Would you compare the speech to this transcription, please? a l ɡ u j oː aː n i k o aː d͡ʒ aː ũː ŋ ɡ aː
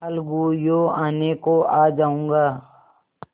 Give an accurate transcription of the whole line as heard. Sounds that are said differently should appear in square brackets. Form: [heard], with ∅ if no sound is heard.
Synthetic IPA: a l ɡ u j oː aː n [e] k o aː d͡ʒ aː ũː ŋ ɡ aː